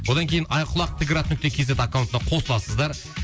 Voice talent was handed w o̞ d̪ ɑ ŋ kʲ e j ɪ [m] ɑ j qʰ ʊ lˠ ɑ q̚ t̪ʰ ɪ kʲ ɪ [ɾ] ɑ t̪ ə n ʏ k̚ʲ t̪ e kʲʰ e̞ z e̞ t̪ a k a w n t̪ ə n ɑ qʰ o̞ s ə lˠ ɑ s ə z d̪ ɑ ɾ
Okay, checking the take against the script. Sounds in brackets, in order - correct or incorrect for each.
incorrect: n, correct

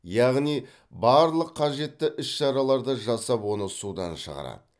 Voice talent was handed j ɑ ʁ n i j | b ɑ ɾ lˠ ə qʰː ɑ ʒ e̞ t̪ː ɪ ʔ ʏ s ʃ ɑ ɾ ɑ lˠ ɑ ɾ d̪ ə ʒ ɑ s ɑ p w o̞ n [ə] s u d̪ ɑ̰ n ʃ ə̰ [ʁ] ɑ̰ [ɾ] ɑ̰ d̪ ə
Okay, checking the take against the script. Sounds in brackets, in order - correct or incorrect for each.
correct, correct, correct

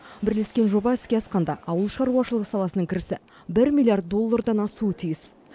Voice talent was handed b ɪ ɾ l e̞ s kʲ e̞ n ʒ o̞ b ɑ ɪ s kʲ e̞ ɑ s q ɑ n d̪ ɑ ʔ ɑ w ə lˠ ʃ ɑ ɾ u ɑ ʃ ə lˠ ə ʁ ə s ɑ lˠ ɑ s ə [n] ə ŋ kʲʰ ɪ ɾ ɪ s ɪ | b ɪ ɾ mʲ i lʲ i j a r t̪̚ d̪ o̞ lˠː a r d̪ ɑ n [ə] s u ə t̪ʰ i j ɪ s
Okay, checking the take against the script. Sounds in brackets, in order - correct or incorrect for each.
correct, incorrect: ɑ

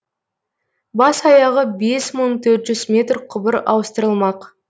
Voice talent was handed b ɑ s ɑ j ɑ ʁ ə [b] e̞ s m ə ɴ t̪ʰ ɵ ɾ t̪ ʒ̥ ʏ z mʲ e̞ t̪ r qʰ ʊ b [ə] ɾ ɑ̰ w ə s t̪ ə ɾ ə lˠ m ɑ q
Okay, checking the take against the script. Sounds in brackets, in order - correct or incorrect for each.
correct, correct

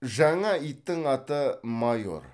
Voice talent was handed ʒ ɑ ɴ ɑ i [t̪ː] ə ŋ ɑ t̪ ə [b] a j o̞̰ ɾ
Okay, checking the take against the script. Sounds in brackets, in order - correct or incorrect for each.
correct, incorrect: m

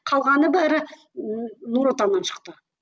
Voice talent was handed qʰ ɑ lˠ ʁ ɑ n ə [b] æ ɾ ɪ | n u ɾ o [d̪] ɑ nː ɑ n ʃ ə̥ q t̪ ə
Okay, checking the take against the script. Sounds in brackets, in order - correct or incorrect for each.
correct, incorrect: t̪

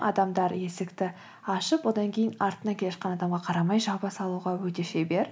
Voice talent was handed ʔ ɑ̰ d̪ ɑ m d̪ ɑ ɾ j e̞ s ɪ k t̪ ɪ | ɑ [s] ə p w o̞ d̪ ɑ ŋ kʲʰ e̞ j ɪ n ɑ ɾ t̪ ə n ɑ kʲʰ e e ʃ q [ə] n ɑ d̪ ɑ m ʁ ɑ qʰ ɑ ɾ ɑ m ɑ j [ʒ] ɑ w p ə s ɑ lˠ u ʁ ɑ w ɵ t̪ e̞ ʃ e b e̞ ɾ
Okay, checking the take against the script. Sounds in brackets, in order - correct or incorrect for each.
incorrect: ʃ, incorrect: ɑ, correct

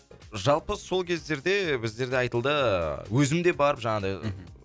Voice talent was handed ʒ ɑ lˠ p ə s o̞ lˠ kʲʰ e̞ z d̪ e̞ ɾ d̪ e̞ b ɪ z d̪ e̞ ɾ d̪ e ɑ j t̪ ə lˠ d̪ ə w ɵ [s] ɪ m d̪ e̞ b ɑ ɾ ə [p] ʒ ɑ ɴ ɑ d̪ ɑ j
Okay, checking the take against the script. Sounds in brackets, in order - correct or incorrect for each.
incorrect: z, correct

